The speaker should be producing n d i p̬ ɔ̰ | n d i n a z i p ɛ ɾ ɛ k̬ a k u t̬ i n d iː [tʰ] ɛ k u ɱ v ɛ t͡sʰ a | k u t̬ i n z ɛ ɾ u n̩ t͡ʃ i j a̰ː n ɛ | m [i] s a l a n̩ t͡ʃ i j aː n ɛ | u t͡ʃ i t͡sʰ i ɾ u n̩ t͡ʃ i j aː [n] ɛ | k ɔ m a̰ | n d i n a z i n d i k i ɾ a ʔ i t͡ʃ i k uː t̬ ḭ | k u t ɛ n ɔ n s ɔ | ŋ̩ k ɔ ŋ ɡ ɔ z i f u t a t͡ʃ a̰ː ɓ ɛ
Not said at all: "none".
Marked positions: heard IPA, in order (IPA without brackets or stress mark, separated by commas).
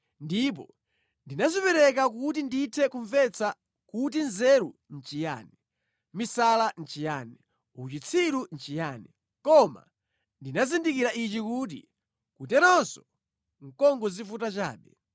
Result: tʰ, i, n